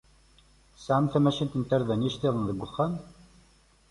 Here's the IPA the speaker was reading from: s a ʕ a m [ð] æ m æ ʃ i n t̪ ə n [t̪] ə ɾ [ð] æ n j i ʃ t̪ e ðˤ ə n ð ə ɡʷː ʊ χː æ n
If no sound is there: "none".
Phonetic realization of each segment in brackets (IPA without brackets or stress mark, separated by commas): θ, t̪, ð